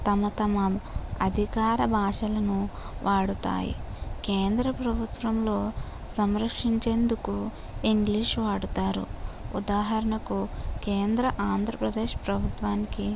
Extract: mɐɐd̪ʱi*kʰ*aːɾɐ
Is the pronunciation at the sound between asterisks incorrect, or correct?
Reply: incorrect